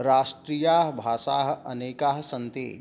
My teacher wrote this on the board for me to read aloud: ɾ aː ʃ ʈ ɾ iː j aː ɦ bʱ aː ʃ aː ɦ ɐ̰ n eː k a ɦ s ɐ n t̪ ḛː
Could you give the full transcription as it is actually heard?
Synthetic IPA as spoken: ɾ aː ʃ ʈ ɾ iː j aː ɦ bʱ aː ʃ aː ɦ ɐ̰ n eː k a ɦ s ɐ n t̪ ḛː